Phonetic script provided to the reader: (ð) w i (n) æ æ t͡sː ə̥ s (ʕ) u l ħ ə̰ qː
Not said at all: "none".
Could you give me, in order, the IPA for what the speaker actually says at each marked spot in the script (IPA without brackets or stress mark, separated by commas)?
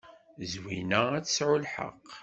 z, n, ʕ